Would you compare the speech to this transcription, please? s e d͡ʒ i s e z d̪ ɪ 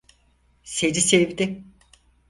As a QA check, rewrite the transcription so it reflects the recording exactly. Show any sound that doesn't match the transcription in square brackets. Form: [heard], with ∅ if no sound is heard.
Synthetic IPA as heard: s e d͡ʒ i s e [v] d̪ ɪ